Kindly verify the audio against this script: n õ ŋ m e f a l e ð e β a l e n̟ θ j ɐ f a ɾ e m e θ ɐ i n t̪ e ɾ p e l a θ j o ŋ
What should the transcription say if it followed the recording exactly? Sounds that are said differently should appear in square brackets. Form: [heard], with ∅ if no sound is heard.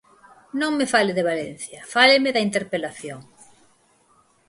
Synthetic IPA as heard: n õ ŋ m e f a l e ð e β a l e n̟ θ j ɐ f a [l] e m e [ð] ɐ i n t̪ e ɾ p e l a θ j o ŋ